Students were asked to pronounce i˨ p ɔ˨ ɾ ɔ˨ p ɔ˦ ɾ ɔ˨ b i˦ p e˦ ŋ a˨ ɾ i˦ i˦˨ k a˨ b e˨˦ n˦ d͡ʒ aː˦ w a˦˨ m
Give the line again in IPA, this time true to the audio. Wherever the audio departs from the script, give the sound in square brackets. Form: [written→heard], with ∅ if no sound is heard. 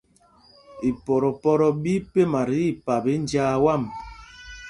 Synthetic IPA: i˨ p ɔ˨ ɾ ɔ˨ p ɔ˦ ɾ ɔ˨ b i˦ p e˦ [ŋ→m] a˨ ɾ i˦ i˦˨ [k→p] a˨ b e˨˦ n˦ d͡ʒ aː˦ w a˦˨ m